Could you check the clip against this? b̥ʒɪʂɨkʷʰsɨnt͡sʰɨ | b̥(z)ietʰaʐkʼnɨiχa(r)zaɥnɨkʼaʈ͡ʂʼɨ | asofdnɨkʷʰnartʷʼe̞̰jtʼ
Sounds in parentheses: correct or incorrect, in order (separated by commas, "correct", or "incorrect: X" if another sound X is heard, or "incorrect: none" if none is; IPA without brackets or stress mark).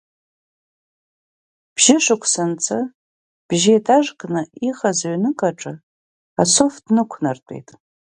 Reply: incorrect: ʒ, incorrect: none